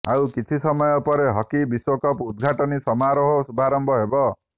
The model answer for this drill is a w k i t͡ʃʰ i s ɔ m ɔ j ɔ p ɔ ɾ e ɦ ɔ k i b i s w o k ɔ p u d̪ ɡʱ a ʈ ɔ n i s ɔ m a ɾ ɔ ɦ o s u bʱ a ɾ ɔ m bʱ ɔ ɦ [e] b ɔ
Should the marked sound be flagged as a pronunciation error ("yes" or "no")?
no